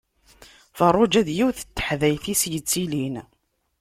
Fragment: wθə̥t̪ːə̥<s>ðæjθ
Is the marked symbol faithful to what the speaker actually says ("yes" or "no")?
no